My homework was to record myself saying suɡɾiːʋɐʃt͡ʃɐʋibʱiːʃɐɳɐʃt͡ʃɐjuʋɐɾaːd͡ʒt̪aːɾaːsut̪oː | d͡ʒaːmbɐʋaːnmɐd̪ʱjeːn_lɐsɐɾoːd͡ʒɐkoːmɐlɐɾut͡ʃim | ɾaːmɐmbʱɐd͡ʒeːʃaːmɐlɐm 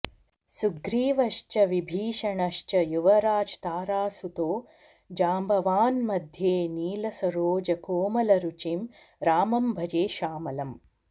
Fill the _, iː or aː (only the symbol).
iː